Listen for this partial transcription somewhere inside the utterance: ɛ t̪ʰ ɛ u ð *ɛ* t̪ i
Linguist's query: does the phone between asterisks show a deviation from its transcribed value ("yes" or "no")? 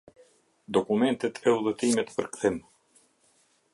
no